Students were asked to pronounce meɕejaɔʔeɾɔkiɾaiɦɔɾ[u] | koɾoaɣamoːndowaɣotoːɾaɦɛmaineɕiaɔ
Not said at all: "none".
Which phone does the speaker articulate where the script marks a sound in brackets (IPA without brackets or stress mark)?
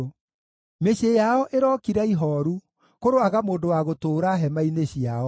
u